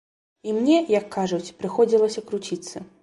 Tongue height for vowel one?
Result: high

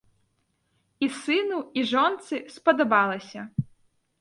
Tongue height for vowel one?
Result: high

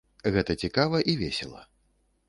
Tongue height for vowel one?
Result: mid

